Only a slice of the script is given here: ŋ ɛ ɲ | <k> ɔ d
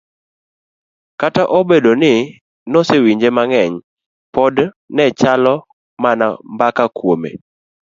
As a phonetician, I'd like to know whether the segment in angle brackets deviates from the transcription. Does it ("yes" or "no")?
yes